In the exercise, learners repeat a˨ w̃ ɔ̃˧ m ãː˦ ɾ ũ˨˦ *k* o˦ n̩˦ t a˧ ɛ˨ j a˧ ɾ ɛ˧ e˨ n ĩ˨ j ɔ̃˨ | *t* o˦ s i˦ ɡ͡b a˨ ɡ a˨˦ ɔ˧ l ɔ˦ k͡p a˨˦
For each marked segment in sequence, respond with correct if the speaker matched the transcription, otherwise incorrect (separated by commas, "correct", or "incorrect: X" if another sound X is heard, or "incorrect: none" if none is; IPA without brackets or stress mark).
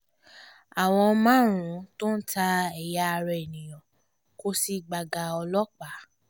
incorrect: t, incorrect: k